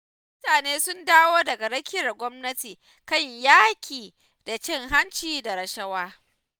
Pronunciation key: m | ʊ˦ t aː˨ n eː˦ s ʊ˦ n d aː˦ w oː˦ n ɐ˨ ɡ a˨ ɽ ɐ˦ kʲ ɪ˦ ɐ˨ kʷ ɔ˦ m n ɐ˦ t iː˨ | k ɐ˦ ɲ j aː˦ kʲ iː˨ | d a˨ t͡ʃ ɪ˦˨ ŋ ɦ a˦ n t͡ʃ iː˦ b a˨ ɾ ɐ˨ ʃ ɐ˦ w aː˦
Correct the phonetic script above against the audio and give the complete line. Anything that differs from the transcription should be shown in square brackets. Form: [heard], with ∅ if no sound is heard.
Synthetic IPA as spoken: m | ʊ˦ t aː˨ n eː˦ s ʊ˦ n d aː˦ w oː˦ [d] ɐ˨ ɡ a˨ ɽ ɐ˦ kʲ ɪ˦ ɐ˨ [ɡʷ] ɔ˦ m n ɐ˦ t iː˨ | k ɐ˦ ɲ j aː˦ kʲ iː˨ | d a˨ t͡ʃ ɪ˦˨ ŋ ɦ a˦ n t͡ʃ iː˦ [d] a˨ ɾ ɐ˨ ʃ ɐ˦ w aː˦